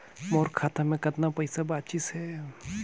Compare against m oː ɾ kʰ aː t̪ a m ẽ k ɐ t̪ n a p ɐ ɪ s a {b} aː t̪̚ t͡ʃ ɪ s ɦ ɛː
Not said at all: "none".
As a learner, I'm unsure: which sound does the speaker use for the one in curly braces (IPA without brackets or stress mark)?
b